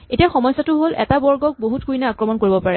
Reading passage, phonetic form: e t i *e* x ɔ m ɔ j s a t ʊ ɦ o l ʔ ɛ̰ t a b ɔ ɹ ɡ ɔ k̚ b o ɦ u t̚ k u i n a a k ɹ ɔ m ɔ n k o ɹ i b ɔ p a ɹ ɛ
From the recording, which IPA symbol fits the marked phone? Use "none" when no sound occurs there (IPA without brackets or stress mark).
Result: a